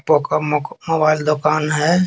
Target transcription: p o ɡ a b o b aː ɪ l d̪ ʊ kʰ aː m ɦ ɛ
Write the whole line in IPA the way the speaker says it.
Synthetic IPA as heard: p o k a m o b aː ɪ l d̪ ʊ k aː n ɦ ɛ